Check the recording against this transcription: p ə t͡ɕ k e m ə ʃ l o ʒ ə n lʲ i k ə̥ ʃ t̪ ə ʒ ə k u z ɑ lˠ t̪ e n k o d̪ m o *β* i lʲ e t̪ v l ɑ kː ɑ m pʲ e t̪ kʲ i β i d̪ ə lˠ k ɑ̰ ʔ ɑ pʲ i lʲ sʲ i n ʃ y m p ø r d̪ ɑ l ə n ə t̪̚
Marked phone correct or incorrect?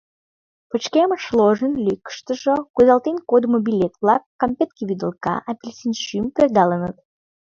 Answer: incorrect